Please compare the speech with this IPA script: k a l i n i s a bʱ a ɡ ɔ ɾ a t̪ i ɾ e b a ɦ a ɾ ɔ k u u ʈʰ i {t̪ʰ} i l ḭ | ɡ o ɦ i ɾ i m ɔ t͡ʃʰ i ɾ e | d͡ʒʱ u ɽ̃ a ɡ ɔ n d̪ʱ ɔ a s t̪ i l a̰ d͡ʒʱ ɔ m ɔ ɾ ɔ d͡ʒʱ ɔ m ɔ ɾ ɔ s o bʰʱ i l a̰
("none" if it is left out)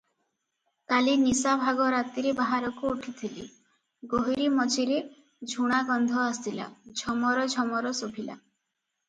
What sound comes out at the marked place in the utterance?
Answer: t̪ʰ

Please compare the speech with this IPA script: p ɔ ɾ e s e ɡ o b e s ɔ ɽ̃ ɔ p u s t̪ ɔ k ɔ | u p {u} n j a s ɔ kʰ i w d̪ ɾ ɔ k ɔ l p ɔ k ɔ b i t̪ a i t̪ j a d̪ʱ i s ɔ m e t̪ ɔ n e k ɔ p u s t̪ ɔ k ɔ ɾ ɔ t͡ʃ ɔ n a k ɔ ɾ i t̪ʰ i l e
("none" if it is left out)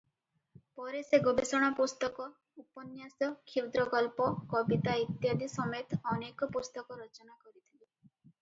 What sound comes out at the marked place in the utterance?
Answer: ɔ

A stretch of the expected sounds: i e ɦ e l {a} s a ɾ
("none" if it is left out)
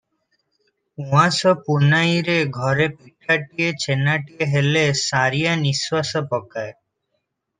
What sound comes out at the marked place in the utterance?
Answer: e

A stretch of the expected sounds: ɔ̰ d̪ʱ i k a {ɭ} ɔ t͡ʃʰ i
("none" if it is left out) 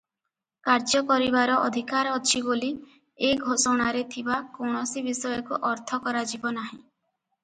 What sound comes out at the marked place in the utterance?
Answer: ɾ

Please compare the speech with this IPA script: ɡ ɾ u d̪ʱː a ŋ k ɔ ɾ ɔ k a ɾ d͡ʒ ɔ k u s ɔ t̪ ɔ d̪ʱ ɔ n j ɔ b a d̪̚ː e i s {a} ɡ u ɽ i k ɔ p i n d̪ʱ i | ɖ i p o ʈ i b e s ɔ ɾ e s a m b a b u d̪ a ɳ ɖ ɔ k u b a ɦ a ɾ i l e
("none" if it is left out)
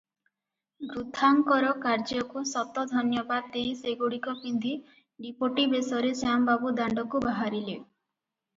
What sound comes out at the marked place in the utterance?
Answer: e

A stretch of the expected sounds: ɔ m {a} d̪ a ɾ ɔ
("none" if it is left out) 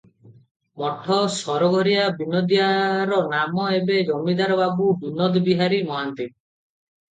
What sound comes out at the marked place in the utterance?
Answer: i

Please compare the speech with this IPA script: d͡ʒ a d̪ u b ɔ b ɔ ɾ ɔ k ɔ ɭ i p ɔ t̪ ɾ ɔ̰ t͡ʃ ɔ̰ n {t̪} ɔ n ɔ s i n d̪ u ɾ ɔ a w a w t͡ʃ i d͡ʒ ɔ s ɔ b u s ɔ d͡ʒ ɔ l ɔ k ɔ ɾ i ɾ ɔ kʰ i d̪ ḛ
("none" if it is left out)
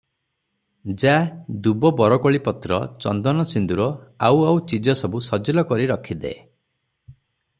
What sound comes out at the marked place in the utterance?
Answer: d̪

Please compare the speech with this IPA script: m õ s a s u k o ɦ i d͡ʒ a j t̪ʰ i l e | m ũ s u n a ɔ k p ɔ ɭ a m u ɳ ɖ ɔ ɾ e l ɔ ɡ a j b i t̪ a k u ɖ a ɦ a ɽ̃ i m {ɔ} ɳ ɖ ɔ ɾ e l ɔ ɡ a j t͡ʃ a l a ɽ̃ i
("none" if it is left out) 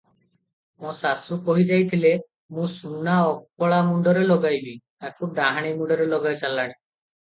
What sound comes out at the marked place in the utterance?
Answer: u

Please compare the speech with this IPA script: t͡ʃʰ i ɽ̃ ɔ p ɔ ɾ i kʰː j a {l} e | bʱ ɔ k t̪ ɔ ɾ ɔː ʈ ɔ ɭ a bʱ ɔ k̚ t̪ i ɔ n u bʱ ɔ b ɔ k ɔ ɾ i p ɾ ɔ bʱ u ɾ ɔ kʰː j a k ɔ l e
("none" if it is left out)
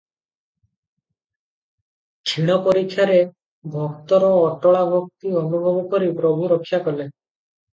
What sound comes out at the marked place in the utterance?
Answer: ɾ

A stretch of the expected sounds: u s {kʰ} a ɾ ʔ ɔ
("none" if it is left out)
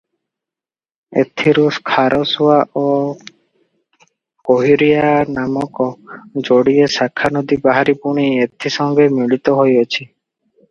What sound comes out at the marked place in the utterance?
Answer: kʰ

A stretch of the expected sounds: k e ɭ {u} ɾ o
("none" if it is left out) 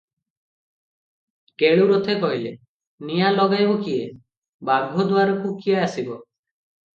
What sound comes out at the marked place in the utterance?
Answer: u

